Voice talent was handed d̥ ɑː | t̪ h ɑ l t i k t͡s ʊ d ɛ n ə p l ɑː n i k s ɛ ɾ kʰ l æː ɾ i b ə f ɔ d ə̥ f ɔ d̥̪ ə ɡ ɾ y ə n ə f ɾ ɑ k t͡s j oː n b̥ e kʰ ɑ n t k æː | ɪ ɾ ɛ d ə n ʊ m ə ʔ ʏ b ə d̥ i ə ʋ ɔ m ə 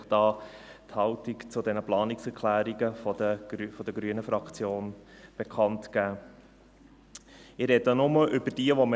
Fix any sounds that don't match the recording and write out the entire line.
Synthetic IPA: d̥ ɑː | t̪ h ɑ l t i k t͡s ʊ d ɛ n ə p l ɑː n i k s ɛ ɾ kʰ l æː ɾ i ɡ ə f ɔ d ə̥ f ɔ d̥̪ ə ɡ ɾ y ə n ə f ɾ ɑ k t͡s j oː n b̥ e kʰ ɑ n t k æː | ɪ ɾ ɛ d ə n ʊ m ə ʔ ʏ b ə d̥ i ə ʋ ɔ m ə